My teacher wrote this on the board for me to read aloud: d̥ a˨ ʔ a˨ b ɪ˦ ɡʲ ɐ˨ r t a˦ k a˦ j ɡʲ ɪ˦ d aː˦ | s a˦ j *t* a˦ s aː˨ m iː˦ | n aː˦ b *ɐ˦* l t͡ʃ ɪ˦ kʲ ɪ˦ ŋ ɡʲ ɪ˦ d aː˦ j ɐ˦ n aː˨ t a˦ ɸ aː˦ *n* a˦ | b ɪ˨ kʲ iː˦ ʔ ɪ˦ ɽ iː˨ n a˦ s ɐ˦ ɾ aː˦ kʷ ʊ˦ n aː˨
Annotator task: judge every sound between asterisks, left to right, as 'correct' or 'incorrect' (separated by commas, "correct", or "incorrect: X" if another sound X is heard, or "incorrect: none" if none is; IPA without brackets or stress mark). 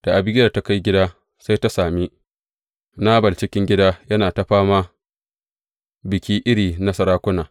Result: correct, incorrect: ɐ˨, incorrect: m